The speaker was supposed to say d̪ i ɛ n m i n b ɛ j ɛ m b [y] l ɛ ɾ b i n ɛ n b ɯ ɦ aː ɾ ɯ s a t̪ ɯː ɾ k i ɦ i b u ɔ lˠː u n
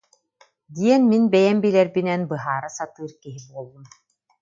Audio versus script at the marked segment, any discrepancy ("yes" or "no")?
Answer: yes